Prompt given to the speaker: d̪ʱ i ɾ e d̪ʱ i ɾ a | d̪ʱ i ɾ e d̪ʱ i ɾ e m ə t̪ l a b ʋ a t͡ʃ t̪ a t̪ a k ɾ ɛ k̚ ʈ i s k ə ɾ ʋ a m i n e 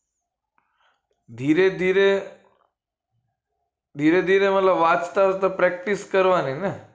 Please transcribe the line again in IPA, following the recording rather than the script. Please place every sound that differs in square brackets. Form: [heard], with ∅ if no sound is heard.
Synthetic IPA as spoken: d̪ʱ i ɾ e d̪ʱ i ɾ [e] | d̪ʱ i ɾ e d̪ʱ i ɾ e m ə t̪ l [ə] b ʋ a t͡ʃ t̪ a t̪ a [p] ɾ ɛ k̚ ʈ i s k ə ɾ ʋ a [n] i n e